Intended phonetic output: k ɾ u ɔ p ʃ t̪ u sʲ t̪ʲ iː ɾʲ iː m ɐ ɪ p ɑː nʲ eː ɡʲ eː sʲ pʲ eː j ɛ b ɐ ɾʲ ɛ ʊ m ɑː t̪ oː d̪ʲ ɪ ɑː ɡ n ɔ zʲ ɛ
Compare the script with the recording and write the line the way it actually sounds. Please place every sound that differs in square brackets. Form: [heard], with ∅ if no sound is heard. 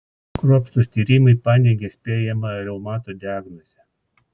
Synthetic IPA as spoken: k ɾ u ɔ p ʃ t̪ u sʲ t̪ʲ iː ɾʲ iː m ɐ ɪ p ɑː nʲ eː ɡʲ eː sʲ pʲ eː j ɛ [m] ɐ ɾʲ ɛ ʊ m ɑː t̪ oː d̪ʲ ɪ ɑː ɡ n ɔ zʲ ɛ